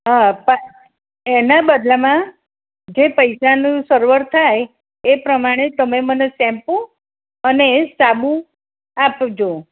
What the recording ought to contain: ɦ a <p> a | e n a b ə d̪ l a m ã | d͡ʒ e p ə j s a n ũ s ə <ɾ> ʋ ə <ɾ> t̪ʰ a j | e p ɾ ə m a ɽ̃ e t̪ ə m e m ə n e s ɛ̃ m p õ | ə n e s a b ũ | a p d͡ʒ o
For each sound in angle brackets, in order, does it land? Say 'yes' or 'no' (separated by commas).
yes, yes, yes